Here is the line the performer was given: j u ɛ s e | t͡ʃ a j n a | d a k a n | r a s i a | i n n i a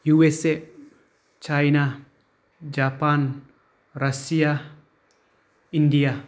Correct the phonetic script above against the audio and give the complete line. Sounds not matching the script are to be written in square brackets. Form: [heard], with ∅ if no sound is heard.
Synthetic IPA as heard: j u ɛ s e | t͡ʃ a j n a | [d͡ʒ] a [p] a n | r a s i a | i n [d] i a